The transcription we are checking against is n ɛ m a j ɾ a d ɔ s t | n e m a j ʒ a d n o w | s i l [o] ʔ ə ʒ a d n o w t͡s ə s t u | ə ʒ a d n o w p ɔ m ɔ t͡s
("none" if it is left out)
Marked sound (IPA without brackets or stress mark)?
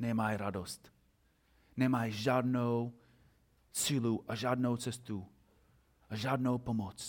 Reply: u